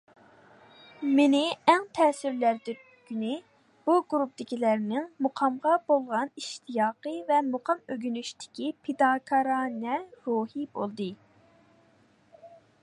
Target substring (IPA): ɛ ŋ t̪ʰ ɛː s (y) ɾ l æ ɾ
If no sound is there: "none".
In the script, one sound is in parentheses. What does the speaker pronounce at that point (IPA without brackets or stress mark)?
y